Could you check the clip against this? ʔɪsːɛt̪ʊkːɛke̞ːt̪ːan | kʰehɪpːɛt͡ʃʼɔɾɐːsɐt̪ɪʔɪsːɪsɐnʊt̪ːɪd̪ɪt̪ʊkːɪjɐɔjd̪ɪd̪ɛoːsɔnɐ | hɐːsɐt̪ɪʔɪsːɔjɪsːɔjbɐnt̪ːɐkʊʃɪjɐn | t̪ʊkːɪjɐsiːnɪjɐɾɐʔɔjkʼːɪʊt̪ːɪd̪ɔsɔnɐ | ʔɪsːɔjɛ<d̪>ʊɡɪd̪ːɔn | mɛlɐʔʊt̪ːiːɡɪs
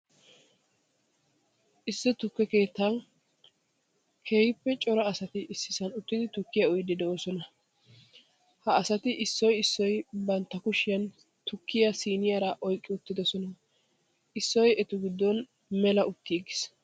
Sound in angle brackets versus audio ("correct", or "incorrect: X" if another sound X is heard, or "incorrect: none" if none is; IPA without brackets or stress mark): incorrect: t̪